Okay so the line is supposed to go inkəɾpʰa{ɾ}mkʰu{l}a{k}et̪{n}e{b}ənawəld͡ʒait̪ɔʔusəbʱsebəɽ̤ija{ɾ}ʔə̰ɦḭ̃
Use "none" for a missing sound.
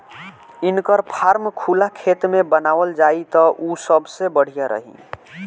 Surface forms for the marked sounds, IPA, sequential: ɾ, l, kʰ, m, b, ɾ

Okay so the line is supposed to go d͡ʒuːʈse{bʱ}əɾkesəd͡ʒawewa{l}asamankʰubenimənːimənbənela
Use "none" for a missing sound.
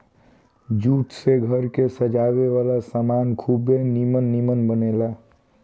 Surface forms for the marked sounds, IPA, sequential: ɡʱ, l

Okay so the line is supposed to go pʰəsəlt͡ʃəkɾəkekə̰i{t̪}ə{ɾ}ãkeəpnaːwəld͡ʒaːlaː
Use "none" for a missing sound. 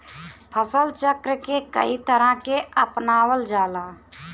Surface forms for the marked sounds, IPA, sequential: t̪, ɾ

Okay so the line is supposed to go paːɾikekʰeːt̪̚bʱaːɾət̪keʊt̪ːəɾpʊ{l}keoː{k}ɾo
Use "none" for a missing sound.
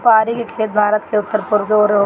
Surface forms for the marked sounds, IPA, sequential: ɾ, none

